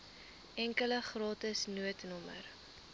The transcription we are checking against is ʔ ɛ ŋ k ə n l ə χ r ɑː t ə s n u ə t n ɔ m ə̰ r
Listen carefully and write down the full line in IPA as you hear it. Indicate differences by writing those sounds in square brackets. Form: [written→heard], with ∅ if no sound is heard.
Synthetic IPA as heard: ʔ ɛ ŋ k ə [n→∅] l ə χ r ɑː t ə s n u ə t n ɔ m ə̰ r